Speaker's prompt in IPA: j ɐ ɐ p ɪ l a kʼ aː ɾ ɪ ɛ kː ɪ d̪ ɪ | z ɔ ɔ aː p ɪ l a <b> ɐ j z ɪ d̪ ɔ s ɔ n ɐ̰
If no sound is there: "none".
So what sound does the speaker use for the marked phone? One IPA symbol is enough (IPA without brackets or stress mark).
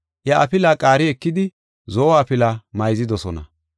m